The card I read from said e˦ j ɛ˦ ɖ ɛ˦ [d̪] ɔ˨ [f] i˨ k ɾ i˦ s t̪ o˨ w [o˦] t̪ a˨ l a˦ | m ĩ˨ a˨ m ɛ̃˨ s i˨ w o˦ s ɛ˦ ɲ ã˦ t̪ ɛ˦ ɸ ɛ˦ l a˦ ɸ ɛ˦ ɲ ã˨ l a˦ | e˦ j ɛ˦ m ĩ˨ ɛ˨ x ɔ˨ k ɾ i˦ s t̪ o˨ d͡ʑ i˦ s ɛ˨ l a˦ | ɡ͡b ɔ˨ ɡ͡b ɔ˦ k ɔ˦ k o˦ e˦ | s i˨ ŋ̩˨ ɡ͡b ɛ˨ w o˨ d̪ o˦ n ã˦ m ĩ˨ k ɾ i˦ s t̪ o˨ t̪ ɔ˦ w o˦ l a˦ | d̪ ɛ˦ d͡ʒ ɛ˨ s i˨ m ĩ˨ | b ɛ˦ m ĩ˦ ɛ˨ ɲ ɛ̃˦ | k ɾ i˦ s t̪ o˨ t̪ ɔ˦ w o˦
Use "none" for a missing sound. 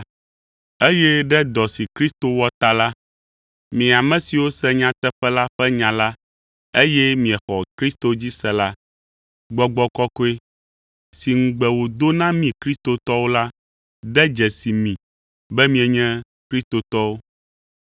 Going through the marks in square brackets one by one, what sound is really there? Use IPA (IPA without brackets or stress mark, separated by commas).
d̪, s, ɔ˦